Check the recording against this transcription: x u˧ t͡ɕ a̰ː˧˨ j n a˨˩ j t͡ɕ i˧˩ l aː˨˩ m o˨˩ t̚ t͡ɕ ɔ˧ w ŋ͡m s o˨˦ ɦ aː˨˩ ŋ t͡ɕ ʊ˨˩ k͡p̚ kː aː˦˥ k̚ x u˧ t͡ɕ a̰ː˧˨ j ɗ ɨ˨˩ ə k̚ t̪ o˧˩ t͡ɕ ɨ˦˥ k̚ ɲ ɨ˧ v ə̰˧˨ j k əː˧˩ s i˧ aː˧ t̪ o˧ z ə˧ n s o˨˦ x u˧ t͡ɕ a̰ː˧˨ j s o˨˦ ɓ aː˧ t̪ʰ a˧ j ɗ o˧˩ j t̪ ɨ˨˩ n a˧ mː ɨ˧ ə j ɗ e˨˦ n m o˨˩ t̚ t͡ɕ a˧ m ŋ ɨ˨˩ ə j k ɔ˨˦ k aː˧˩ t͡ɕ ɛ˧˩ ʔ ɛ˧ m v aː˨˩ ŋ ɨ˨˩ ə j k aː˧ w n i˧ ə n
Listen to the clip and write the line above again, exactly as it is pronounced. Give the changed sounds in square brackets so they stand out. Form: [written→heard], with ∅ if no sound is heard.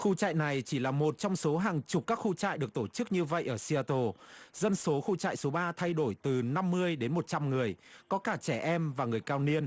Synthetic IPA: x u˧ t͡ɕ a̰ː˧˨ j n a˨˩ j t͡ɕ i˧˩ l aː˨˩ m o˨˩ t̚ t͡ɕ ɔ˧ w ŋ͡m s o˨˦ ɦ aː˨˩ ŋ t͡ɕ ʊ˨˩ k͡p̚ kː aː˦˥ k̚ x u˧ t͡ɕ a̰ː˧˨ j ɗ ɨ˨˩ ə k̚ t̪ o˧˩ t͡ɕ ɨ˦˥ k̚ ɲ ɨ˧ v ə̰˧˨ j [k→ʔ] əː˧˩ s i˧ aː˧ t̪ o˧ z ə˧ n s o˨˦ x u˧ t͡ɕ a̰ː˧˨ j s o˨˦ ɓ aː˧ t̪ʰ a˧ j ɗ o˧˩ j t̪ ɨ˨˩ n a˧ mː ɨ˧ ə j ɗ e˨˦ n m o˨˩ t̚ t͡ɕ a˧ m ŋ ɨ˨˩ ə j k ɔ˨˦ k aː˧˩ t͡ɕ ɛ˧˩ ʔ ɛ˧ m v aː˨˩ ŋ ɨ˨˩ ə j k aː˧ w n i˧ ə n